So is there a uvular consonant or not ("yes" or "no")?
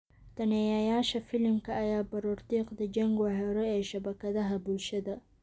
yes